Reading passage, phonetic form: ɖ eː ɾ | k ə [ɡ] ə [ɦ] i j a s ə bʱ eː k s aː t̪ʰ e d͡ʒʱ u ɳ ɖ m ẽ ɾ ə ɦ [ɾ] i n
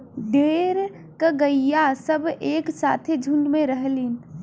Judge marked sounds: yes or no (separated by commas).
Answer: yes, no, no